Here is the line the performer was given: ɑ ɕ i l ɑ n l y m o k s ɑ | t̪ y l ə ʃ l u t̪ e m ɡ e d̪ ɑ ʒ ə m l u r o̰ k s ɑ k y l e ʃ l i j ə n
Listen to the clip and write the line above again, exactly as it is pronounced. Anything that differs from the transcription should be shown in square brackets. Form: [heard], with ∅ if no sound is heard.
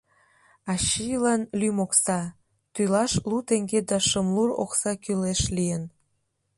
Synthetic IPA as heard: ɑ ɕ i l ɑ n l y m o k s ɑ | t̪ y l [ɑ] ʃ l u t̪ e [ŋ] ɡ e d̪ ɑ [ʃ] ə m l u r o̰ k s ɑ k y l e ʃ l i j ə n

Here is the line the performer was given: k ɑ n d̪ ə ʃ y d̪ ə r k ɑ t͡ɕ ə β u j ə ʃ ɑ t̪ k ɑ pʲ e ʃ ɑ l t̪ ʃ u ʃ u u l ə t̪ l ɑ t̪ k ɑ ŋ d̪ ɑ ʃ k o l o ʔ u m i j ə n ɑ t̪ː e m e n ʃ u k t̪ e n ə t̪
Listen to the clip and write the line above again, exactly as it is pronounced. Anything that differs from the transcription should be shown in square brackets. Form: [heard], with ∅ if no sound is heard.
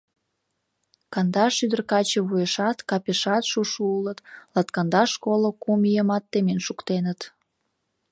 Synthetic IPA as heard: k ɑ n d̪ [ɑ] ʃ y d̪ ə r k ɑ t͡ɕ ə β u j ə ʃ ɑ t̪ k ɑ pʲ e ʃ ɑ [∅] t̪ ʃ u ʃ u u l ə t̪ l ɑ t̪ k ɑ [n] d̪ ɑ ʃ k o l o [k] u m i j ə [m] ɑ t̪ː e m e n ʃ u k t̪ e n ə t̪

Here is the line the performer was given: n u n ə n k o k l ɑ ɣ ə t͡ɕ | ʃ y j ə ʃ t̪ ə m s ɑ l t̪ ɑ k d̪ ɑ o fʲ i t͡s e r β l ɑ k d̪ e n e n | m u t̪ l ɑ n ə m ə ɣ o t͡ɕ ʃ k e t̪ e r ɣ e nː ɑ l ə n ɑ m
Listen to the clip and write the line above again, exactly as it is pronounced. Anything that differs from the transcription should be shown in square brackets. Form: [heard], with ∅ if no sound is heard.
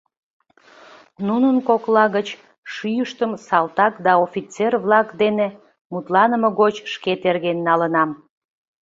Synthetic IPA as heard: n u n ə n k o k l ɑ ɣ ə t͡ɕ | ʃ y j ə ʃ t̪ ə m s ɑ l t̪ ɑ k d̪ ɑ o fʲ i t͡s e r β l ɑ k d̪ e n e [∅] | m u t̪ l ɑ n ə m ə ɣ o t͡ɕ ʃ k e t̪ e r ɣ e nː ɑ l ə n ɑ m

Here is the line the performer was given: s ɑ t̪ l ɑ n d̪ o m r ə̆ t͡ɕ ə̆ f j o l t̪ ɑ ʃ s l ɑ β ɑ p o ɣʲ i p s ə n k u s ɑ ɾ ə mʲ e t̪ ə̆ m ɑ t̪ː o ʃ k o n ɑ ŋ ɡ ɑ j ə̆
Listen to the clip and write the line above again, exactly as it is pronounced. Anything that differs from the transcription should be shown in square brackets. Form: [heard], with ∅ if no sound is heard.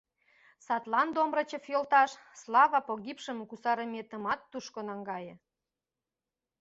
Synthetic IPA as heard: s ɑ t̪ l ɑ n d̪ o m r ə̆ t͡ɕ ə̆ f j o l t̪ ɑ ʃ s l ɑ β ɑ p o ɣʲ i p [ʃ] ə [m] k u s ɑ ɾ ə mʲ e t̪ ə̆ m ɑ t̪ː [u] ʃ k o n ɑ ŋ ɡ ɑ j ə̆

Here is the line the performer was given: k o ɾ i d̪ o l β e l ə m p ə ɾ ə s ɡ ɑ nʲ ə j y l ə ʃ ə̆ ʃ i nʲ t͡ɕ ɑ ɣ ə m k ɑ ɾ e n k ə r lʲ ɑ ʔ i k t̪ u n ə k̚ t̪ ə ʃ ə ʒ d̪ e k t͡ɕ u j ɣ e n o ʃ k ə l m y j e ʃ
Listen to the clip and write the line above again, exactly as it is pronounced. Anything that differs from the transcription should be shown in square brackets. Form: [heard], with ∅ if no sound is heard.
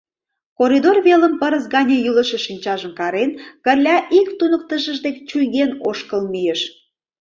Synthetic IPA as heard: k o ɾ i d̪ o [r] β e l ə m p ə ɾ ə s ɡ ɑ nʲ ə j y l ə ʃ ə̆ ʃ i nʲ t͡ɕ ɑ [ʒ] ə m k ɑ ɾ e n k ə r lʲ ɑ ʔ i k t̪ u n ə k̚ t̪ ə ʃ ə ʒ d̪ e k t͡ɕ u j ɣ e n o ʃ k ə l m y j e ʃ

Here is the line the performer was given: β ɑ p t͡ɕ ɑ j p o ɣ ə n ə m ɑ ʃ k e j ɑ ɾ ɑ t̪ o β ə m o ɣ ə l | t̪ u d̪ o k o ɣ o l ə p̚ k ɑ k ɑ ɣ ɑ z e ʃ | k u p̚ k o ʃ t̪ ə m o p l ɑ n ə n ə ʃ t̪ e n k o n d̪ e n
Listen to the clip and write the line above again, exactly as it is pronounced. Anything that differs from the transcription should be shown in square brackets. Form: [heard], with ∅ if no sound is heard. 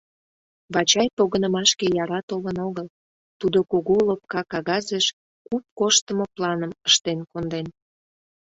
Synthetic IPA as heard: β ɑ [∅] t͡ɕ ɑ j p o ɣ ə n ə m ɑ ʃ k e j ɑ ɾ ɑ t̪ o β ə [n] o ɣ ə l | t̪ u d̪ o k o ɣ o l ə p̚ k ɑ k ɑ ɣ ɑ z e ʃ | k u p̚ k o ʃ t̪ ə m o p l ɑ n ə [m] ə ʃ t̪ e n k o n d̪ e n

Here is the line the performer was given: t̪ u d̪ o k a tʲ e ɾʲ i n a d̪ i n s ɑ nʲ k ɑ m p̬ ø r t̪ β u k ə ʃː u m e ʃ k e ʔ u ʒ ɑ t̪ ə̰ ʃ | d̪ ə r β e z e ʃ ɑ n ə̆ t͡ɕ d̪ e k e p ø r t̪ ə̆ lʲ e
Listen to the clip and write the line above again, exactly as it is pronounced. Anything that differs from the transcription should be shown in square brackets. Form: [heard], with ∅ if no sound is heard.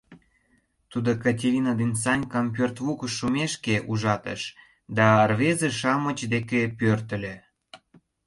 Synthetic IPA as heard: t̪ u d̪ o k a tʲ e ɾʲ i n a d̪ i n s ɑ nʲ k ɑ m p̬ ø r t̪ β u k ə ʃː u m e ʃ k e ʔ u ʒ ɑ t̪ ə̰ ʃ | d̪ [ɑ] r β e z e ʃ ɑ [m] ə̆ t͡ɕ d̪ e k e p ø r t̪ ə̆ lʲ e

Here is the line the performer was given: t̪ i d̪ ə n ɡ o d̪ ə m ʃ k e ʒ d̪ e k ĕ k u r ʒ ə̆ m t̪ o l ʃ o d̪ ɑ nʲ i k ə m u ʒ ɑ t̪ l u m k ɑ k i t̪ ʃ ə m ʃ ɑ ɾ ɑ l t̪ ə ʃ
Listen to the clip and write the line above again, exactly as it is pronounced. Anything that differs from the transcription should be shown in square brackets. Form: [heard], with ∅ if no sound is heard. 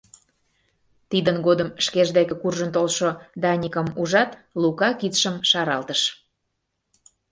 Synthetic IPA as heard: t̪ i d̪ ə n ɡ o d̪ ə m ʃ k e ʒ d̪ e k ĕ k u r ʒ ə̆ [n] t̪ o l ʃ o d̪ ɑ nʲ i k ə m u ʒ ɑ t̪ l u [∅] k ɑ k i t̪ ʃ ə m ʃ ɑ ɾ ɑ l t̪ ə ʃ

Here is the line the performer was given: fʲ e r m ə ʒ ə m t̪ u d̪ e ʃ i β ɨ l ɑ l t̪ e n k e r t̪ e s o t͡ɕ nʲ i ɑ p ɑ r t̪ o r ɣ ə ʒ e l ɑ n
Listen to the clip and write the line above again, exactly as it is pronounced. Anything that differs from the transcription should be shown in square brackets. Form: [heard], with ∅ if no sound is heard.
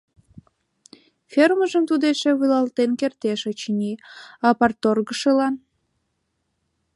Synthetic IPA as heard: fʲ e r m ə ʒ ə m t̪ u d̪ e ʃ [e] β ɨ l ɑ l t̪ e n k e r t̪ e [ʃ] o t͡ɕ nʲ i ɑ p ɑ r t̪ o r ɣ ə [ʃ] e l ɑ n

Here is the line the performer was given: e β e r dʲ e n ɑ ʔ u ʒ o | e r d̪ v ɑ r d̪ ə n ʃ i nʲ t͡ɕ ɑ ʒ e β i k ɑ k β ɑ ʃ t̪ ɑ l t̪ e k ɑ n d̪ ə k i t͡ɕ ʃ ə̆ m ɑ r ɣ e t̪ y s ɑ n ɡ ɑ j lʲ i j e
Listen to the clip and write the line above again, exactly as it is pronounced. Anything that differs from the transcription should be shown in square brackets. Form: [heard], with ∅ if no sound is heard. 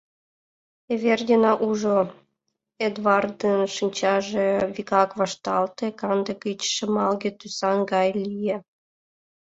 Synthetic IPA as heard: e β e r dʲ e n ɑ ʔ u ʒ o | e [∅] d̪ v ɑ r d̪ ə n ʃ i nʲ t͡ɕ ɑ ʒ e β i k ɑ k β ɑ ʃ t̪ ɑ l t̪ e k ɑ n d̪ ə k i t͡ɕ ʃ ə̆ m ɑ [l] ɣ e t̪ y s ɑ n ɡ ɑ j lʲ i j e

